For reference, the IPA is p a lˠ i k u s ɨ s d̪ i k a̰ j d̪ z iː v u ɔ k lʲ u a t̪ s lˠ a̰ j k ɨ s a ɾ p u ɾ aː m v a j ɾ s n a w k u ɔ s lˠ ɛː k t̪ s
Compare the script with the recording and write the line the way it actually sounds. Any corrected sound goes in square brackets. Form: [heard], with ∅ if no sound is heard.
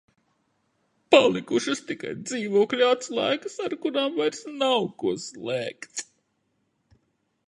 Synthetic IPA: p a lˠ i k u [ʃ] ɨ s [t̪] i k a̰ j d̪ z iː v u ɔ k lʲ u a t̪ s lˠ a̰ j k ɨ s a ɾ [k] u ɾ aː m v a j ɾ s n a w k u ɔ s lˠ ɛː k t̪ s